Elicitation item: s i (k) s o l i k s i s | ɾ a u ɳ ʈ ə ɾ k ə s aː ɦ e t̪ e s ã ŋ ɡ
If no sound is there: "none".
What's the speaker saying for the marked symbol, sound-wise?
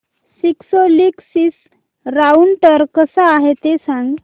k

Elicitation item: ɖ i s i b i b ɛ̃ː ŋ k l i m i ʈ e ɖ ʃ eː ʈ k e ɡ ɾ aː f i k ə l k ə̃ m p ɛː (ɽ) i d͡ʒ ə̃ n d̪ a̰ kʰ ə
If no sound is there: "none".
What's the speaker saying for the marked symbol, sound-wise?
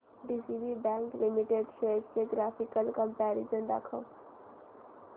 ɾ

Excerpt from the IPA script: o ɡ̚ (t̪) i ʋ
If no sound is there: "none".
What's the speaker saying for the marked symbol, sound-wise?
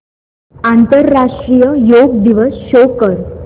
d̪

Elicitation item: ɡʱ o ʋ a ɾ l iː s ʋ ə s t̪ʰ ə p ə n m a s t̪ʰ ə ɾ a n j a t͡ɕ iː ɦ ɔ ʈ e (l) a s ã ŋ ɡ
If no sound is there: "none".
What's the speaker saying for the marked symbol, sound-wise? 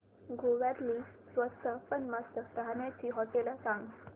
l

